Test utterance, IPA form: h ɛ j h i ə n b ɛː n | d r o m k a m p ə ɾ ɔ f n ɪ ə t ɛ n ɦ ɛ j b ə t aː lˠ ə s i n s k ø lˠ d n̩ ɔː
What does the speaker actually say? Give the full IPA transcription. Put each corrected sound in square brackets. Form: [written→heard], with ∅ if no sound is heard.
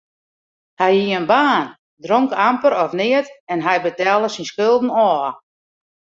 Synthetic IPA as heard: h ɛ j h i ə n b [ɛː→aː] n | d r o [m→ŋ] k a m p ə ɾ ɔ f n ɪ ə t ɛ n ɦ ɛ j b ə t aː lˠ ə s i n s k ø lˠ d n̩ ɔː